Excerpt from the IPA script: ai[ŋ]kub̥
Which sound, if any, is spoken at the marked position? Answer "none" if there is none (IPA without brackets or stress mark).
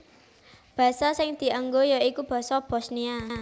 none